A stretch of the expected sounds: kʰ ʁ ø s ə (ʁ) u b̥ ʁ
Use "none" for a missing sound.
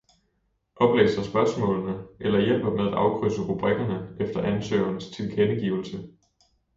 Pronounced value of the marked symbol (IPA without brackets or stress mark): ʁ